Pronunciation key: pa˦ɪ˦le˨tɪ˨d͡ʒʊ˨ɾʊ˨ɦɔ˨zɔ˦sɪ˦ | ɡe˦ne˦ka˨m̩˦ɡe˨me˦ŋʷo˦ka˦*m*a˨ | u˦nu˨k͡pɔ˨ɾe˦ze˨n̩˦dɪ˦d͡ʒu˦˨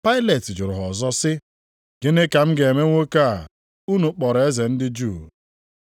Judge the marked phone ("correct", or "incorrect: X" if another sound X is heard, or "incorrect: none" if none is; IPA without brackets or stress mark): incorrect: none